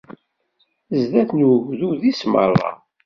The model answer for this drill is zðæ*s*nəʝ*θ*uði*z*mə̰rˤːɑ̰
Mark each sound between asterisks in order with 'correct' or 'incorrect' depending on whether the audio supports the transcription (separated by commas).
incorrect, incorrect, incorrect